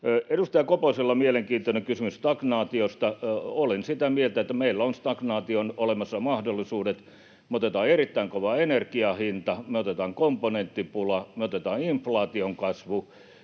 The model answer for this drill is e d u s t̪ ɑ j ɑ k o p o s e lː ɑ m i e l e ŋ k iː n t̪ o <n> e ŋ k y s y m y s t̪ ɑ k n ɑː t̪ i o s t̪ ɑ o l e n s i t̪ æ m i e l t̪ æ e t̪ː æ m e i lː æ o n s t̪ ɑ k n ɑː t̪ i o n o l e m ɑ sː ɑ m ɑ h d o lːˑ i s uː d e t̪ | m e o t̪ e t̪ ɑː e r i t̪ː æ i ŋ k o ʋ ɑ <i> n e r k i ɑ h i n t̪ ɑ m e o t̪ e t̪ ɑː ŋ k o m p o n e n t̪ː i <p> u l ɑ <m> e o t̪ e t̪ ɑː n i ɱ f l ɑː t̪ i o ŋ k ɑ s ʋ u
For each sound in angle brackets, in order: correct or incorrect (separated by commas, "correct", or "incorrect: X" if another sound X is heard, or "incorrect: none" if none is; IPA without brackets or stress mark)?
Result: correct, incorrect: e, correct, correct